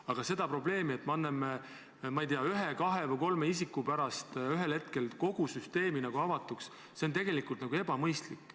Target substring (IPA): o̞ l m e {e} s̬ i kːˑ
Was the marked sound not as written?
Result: yes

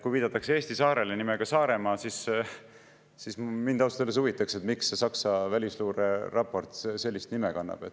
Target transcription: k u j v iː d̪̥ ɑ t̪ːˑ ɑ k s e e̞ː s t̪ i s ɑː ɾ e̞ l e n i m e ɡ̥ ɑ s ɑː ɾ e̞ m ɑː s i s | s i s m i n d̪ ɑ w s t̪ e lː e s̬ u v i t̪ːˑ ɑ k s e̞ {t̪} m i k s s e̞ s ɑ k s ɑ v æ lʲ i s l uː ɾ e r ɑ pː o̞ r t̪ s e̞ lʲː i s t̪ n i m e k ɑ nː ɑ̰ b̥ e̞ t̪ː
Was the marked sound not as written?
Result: no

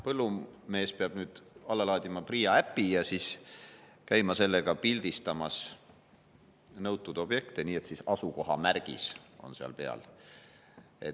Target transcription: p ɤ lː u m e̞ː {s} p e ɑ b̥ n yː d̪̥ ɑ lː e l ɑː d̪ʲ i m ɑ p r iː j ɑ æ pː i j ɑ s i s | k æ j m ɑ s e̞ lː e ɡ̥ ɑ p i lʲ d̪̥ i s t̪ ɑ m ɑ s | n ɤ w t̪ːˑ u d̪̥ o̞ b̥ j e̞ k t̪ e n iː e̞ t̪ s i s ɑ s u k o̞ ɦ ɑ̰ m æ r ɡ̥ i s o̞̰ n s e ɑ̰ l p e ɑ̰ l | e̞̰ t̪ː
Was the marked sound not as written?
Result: no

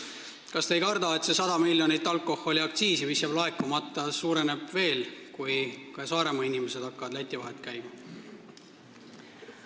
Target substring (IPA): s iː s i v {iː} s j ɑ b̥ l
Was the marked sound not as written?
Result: yes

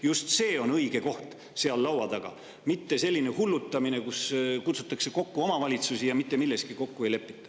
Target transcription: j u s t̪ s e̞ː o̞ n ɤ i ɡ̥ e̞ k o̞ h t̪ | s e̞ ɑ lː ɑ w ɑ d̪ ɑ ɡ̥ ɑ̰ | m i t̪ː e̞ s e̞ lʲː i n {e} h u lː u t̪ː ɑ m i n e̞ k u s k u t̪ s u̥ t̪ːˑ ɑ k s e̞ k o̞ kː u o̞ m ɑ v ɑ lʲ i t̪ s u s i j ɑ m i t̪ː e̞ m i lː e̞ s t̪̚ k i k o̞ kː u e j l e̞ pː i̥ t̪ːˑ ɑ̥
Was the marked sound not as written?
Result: no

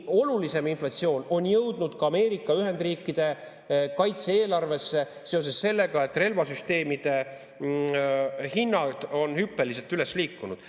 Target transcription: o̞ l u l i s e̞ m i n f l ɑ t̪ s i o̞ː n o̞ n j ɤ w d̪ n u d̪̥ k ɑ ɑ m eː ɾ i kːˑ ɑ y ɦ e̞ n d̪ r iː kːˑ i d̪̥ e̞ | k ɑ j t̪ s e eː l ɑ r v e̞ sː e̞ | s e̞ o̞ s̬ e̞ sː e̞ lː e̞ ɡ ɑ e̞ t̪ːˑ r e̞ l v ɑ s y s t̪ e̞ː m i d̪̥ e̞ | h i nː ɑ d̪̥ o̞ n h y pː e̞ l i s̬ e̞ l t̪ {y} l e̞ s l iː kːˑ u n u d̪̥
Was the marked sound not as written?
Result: no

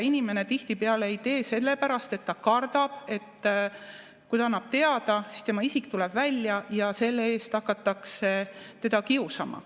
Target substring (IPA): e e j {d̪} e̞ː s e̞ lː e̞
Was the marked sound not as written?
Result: yes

